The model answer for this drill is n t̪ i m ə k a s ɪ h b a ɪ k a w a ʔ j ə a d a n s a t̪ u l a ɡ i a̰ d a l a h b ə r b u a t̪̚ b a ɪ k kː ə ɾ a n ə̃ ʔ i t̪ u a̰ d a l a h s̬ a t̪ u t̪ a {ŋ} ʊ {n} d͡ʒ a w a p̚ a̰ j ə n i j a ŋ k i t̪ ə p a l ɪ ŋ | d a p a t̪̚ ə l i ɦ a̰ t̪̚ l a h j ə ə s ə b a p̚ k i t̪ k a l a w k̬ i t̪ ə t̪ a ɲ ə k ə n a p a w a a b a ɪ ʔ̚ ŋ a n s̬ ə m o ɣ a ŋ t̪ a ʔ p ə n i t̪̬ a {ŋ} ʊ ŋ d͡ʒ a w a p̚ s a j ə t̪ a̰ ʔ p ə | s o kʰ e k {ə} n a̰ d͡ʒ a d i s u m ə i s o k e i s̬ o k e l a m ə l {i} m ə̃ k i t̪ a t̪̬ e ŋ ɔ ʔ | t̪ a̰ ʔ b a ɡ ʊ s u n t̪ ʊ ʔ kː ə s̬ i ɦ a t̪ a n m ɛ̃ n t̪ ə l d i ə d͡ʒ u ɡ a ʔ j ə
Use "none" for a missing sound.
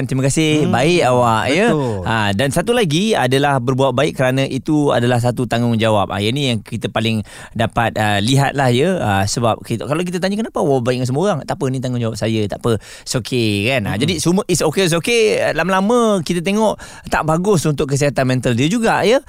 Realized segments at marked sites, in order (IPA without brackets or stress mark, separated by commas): ŋ, ŋ, ŋ, a, a